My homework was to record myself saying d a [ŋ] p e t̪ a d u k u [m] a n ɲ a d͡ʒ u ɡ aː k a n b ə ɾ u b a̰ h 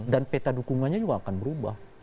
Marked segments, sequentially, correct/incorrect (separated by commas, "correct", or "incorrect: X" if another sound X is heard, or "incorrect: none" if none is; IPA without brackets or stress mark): incorrect: n, incorrect: ŋ